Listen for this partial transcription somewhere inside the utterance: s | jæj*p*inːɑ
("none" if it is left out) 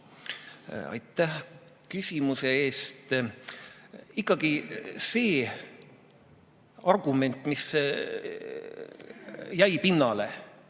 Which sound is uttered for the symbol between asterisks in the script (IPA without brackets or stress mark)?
p